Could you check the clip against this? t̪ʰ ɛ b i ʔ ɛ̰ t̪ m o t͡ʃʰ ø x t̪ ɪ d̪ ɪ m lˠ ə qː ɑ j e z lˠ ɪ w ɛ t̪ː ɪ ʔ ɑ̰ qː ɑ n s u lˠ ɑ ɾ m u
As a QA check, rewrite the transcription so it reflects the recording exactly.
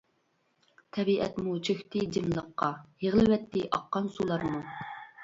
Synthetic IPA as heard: t̪ʰ ɛ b i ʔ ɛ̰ t̪ m u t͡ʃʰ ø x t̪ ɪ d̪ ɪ m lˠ ə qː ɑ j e ʁ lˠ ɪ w ɛ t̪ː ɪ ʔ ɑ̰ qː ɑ n s u lˠ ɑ ɾ m u

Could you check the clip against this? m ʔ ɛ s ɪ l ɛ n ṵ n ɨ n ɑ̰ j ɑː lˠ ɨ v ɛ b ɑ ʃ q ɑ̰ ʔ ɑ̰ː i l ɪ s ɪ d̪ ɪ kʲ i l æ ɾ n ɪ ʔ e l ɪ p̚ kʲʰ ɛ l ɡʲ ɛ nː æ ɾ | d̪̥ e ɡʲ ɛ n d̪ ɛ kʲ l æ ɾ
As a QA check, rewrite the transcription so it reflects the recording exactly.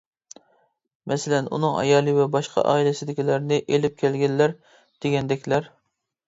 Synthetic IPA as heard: m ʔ ɛ s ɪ l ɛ n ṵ n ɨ ŋ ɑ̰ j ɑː lˠ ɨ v ɛ b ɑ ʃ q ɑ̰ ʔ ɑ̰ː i l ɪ s ɪ d̪ ɪ kʲ i l æ ɾ n ɪ ʔ e l ɪ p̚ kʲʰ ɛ l ɡʲ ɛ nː æ ɾ | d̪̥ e ɡʲ ɛ n d̪ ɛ kʲ l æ ɾ

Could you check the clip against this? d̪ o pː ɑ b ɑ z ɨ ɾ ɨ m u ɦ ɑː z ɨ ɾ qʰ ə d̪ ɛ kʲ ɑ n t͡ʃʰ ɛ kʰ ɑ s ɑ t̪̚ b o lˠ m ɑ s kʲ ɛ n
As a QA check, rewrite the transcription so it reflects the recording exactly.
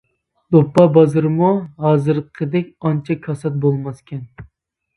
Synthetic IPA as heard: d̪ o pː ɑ b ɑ z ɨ ɾ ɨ m u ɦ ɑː z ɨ ɾ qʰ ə d̪ ɛ kʲ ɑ n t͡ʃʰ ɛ kʰ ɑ s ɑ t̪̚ b o lˠ m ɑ s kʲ ɛ n

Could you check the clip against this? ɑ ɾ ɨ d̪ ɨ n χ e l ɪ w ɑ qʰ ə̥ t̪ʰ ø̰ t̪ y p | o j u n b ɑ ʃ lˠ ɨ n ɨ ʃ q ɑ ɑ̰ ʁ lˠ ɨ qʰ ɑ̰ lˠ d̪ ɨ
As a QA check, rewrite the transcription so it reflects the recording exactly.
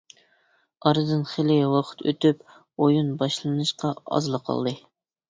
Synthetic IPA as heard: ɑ ɾ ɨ d̪ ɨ n χ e l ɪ w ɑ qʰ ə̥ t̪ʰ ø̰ t̪ y p | o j u n b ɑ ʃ lˠ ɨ n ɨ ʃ q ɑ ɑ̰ z lˠ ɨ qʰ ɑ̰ lˠ d̪ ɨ

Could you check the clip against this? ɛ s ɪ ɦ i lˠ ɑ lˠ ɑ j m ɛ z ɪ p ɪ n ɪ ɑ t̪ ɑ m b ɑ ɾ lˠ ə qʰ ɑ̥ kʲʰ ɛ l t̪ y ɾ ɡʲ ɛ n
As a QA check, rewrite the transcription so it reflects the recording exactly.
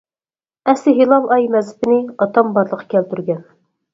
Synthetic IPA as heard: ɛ s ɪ ɦ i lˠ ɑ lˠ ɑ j m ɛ z ɪ p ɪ n ɪ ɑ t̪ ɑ m b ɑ ɾ lˠ ə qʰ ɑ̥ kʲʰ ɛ l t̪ y ɾ ɡʲ ɛ n

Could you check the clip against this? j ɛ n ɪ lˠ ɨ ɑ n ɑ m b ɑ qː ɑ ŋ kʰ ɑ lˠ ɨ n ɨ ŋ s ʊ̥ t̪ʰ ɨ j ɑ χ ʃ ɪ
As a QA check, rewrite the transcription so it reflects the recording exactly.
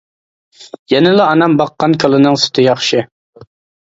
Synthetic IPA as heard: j ɛ n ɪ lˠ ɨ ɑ n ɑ m b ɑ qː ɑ n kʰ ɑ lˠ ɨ n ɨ ŋ s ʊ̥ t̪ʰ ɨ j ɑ χ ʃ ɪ

